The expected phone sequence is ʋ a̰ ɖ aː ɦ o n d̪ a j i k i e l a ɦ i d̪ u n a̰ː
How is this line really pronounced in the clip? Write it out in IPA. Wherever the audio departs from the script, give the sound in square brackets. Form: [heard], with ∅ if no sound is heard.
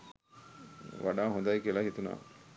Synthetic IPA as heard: ʋ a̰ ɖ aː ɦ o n d̪ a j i k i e l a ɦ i [t̪] u n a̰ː